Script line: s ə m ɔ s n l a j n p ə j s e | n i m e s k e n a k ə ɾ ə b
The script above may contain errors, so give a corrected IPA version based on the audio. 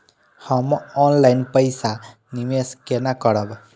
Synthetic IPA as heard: h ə m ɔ n l a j n p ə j s a | n i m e s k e n a k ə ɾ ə b